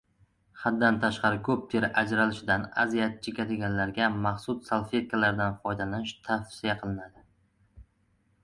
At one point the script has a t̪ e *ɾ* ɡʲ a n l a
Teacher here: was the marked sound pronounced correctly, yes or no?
no